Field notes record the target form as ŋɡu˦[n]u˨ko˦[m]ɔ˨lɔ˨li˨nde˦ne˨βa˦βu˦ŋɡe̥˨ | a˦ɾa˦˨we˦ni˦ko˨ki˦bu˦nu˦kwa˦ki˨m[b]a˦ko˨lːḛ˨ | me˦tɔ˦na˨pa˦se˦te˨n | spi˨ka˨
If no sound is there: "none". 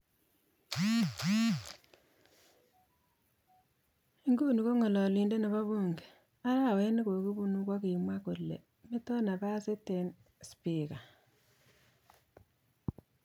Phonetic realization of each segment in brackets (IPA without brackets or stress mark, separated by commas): n, ŋ, w